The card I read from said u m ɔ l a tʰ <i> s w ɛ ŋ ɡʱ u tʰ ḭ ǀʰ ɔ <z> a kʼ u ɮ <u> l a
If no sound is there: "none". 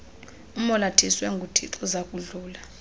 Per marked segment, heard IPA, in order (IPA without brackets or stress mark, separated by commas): i, z, uː